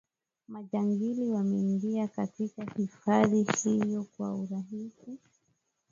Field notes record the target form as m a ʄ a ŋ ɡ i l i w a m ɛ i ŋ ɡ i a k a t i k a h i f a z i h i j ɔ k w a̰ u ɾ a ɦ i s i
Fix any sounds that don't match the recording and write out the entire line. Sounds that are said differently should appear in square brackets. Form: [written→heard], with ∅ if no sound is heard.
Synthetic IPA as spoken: m a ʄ a ŋ ɡ i l i w a m ɛ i ŋ ɡ i a k a t i k a h i f a [z→ð] i h i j ɔ k w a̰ u ɾ a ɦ i s i